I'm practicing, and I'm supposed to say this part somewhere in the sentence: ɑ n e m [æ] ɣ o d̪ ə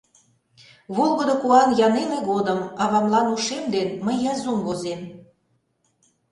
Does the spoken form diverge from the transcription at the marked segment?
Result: yes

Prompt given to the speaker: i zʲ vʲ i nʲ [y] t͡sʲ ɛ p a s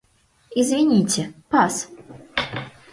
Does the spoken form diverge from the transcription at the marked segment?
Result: yes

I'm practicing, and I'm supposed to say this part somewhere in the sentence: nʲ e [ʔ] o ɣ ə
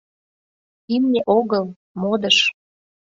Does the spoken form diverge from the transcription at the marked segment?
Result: no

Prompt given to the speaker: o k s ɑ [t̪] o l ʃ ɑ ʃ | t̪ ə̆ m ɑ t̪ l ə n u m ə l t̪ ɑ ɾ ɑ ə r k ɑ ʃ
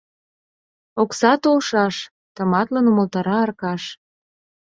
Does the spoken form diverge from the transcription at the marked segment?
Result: no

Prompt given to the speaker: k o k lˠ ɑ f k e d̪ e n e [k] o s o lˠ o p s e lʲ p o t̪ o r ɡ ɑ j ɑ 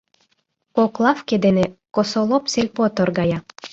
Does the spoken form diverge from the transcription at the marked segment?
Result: no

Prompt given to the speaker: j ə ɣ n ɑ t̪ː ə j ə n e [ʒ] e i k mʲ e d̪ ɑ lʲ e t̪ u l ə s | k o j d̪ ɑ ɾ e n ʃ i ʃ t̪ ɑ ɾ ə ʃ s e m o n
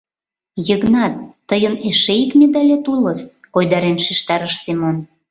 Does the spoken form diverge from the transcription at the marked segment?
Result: yes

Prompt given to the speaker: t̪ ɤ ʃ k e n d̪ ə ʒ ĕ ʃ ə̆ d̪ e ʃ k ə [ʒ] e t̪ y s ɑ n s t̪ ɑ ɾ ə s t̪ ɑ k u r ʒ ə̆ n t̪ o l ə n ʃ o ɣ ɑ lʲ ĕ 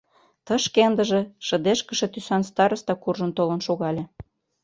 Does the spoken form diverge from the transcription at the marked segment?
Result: yes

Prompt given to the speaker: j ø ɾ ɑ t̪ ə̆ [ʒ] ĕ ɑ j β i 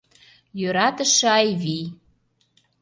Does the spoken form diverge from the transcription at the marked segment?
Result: yes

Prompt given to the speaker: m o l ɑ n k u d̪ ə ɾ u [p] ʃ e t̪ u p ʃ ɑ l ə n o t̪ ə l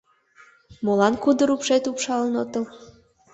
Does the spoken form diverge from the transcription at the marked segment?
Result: no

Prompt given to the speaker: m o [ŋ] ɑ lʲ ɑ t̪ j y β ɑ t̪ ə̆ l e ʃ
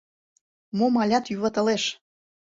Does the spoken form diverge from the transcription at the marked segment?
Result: yes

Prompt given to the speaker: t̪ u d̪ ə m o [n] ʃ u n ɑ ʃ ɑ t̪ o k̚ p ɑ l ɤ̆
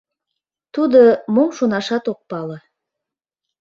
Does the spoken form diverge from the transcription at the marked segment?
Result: yes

